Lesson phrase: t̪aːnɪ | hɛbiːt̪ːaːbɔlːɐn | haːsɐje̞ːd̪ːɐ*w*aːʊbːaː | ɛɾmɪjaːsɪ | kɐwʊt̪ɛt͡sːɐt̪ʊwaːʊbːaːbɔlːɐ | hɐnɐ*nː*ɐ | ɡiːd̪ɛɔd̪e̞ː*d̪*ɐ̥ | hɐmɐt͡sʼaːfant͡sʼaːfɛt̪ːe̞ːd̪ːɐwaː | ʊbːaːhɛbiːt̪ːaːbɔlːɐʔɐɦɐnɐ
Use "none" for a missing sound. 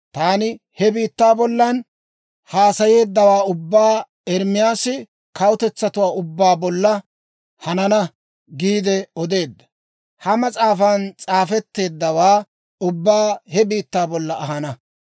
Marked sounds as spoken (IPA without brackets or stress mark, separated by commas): w, n, d̪ː